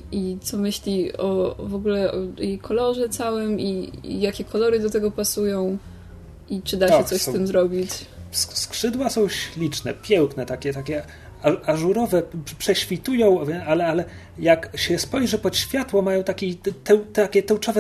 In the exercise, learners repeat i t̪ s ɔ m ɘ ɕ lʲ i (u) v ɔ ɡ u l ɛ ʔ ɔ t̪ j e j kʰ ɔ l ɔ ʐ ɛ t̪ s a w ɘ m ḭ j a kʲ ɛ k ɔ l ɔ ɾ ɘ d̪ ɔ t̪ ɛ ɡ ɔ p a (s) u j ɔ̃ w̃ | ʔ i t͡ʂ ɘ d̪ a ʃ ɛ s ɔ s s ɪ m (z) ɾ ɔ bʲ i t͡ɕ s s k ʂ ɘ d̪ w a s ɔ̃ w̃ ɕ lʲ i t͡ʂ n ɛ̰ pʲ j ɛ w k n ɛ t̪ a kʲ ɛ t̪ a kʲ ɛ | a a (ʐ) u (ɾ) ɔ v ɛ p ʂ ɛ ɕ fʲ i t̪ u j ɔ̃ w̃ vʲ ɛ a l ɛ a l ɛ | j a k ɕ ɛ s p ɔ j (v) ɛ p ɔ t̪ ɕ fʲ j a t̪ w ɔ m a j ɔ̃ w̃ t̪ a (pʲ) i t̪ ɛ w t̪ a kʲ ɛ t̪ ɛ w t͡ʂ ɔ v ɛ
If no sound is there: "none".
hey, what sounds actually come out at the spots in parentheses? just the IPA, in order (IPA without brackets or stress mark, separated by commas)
ɔ, s, z, ʐ, ɾ, ʐ, kʲ